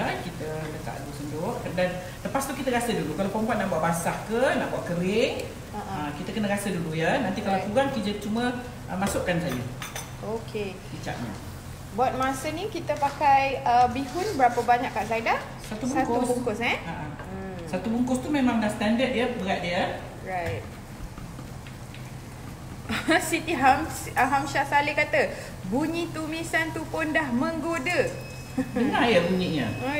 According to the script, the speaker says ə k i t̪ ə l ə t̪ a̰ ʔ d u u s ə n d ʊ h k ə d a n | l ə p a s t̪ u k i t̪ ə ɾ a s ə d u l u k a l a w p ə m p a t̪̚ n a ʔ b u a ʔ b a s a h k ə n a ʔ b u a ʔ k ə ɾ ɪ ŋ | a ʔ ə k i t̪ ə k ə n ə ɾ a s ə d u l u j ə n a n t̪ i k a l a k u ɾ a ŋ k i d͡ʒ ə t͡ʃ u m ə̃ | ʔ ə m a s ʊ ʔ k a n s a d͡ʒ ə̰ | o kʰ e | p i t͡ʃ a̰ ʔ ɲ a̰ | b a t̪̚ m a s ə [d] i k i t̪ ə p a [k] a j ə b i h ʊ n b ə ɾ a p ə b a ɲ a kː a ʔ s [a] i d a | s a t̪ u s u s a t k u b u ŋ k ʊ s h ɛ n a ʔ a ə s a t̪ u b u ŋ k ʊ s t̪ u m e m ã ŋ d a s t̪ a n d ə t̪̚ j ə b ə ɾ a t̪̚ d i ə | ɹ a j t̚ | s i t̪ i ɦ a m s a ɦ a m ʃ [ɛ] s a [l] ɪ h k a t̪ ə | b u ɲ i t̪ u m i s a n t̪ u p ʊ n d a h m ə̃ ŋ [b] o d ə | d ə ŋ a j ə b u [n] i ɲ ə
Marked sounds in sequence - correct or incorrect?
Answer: incorrect: n, correct, correct, incorrect: a, correct, incorrect: ɡ, incorrect: ɲ

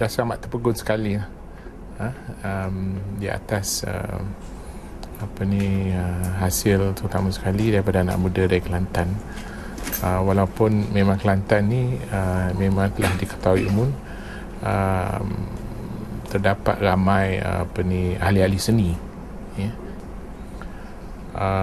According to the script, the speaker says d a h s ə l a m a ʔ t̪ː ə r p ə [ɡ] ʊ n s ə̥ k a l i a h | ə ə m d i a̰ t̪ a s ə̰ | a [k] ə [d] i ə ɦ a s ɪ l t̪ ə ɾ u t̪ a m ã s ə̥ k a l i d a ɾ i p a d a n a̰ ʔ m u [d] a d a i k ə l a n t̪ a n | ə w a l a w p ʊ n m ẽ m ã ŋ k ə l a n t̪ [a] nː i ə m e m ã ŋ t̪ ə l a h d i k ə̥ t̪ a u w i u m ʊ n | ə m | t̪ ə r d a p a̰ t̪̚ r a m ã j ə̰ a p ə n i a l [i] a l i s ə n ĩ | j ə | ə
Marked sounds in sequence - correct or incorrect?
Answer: correct, incorrect: p, incorrect: n, correct, correct, correct

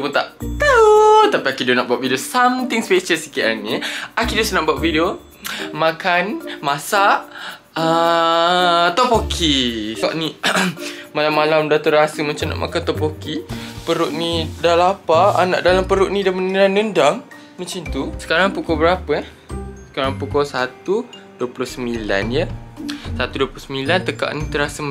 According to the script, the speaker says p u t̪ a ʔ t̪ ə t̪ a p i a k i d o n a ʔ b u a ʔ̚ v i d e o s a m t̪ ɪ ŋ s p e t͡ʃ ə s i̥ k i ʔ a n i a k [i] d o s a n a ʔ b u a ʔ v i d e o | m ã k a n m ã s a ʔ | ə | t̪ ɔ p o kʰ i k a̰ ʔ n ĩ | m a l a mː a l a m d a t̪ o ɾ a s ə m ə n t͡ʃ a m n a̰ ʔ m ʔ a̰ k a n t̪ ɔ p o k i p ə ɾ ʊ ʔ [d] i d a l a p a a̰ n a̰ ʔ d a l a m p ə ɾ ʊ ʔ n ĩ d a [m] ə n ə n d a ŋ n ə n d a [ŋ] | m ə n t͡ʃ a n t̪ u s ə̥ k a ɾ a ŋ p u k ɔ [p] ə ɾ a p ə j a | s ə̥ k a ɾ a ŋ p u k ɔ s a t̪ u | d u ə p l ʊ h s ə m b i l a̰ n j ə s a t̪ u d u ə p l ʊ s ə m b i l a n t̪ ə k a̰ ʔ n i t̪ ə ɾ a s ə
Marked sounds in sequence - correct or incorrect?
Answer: correct, incorrect: n, correct, correct, incorrect: b

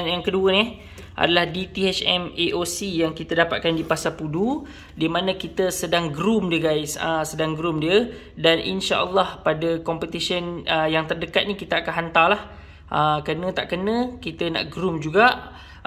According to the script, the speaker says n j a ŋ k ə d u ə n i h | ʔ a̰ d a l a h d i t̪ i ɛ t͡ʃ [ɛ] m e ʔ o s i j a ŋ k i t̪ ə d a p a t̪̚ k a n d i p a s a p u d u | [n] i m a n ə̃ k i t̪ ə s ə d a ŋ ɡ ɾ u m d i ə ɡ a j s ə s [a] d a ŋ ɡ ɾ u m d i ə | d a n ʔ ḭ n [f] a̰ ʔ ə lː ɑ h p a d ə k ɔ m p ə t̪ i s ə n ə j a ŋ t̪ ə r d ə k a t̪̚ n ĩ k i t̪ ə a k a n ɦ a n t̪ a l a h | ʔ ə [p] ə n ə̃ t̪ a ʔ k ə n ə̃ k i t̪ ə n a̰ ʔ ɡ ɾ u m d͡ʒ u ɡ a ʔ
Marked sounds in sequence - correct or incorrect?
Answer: correct, incorrect: d, incorrect: ə, incorrect: ʃ, incorrect: k

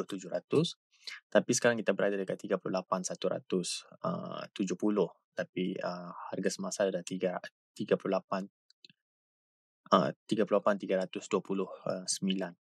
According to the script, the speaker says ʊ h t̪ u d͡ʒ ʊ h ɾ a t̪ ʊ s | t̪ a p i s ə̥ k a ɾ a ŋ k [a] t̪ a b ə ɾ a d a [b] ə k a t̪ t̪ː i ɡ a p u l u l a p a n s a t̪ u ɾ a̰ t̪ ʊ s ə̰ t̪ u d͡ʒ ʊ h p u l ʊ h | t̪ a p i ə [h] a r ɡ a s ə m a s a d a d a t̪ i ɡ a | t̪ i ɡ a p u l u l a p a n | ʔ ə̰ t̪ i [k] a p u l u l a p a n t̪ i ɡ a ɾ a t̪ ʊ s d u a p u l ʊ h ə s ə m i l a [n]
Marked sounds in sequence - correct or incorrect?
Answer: incorrect: i, incorrect: d, correct, incorrect: ɡ, correct

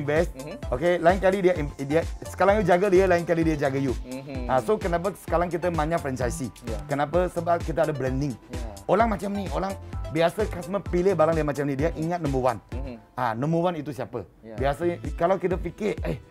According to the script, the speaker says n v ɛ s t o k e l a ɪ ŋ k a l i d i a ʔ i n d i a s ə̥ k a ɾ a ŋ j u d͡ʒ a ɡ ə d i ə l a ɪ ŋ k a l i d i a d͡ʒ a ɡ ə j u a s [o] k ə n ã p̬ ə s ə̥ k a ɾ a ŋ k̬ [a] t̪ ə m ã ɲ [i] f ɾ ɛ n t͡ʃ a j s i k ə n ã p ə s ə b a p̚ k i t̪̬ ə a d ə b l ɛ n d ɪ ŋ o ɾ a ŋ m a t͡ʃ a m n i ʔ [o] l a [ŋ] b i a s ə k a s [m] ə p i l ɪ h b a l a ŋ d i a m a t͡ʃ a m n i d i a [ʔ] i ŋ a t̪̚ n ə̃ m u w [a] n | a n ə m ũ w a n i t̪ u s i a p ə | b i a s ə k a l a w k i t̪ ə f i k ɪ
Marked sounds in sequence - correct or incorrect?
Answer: correct, incorrect: i, incorrect: a, correct, correct, correct, correct, correct

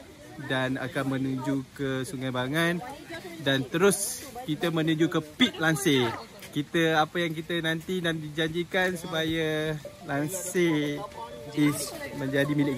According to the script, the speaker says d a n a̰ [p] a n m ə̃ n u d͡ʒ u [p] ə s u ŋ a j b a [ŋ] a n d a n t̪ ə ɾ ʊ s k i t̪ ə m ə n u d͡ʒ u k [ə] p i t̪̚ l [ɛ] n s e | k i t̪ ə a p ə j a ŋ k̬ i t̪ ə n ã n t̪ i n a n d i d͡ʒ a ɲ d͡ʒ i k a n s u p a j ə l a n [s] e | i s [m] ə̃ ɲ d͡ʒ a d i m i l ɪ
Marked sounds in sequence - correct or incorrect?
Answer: incorrect: k, incorrect: k, correct, correct, incorrect: a, correct, correct

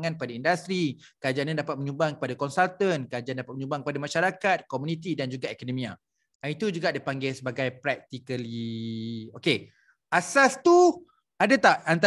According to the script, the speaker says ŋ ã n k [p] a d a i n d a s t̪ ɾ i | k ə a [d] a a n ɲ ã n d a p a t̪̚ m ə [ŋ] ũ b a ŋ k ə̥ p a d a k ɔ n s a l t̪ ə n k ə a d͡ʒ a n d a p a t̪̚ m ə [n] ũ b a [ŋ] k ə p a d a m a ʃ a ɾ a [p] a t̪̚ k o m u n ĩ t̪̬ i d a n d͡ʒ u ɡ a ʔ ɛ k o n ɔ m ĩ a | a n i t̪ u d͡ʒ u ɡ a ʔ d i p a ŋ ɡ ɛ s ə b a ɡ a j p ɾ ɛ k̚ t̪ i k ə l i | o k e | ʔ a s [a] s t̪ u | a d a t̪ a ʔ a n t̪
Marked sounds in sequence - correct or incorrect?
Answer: correct, incorrect: d͡ʒ, incorrect: ɲ, incorrect: ɲ, correct, incorrect: k, correct

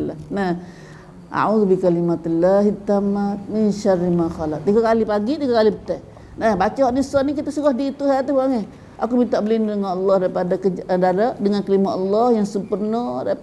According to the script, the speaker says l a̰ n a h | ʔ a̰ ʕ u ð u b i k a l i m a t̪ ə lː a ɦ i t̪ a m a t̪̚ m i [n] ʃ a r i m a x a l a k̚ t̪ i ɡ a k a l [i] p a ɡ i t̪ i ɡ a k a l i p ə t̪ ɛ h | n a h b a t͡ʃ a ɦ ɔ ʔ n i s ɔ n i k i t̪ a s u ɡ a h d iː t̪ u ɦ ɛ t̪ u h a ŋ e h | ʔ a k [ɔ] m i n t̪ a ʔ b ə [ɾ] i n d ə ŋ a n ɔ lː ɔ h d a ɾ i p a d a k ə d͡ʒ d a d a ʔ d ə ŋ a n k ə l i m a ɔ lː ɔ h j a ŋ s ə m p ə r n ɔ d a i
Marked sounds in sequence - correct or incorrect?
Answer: correct, correct, incorrect: u, incorrect: l

